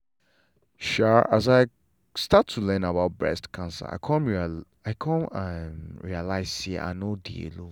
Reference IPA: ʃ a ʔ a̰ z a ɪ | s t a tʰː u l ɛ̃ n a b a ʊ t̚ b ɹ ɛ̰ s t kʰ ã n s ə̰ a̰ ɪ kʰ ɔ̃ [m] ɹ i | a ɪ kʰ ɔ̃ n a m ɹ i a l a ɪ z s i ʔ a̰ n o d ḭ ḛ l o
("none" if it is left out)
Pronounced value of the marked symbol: n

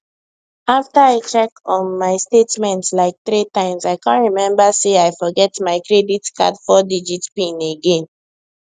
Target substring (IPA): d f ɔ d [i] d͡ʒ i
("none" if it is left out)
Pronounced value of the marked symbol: i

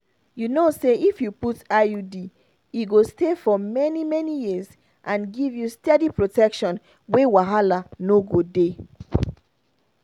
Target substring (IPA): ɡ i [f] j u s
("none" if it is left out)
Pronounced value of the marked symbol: v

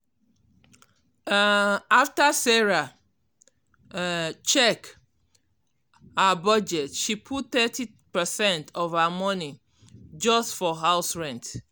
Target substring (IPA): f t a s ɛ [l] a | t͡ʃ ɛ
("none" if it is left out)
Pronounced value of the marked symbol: ɹ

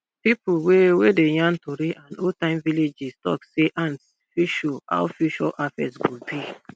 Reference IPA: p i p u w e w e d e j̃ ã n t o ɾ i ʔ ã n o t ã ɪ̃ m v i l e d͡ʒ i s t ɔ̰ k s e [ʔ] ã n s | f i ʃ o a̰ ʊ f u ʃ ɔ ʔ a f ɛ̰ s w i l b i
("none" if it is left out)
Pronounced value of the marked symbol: ʔ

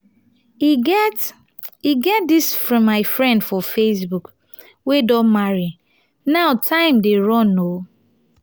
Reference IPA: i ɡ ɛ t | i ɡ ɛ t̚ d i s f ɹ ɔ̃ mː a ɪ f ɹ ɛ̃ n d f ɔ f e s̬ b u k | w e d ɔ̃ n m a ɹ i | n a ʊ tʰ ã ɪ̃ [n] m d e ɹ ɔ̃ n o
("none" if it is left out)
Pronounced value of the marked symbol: none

